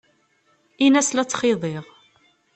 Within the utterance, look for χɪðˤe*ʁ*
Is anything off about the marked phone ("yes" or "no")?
no